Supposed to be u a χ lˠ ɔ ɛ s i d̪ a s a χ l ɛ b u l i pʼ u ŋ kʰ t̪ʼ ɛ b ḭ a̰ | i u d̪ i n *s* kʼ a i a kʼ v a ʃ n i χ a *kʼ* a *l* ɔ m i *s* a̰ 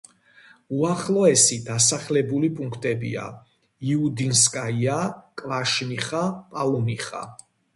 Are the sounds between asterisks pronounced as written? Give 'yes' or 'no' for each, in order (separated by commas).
yes, no, yes, no